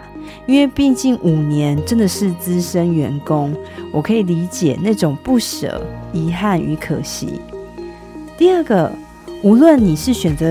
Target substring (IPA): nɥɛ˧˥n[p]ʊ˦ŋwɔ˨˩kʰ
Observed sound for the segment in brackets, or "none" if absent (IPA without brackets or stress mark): k